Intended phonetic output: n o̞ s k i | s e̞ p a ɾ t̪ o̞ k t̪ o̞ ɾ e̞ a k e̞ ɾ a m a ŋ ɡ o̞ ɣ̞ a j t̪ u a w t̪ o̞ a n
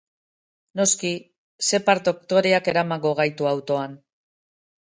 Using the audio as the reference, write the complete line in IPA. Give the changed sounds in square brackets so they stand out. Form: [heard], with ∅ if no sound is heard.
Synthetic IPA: n o̞ s k i | s e̞ p a ɾ t̪ o̞ k t̪ o̞ ɾ e̞ a k e̞ ɾ a m a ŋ ɡ o̞ ɣ̞ a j t̪ u a w t̪ o̞ a n